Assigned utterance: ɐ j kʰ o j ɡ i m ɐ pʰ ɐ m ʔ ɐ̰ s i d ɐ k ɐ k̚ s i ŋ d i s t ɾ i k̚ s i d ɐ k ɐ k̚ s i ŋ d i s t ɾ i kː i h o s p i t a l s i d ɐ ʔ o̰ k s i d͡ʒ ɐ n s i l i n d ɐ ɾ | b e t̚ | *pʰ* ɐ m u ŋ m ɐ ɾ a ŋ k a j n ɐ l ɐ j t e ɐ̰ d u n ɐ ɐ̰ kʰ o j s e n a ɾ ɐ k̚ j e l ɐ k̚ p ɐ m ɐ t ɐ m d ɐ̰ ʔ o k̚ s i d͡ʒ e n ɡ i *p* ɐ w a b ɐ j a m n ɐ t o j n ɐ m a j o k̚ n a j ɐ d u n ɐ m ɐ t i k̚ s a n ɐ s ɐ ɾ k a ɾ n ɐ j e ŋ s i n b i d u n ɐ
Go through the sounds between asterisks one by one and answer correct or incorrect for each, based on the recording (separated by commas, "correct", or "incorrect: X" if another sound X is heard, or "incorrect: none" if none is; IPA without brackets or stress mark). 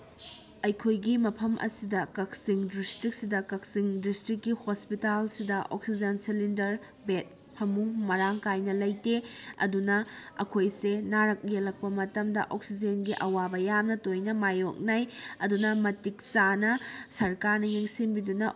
correct, incorrect: ʔ